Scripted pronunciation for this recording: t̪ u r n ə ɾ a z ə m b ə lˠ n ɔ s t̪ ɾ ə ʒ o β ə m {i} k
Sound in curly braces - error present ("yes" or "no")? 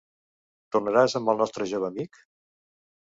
no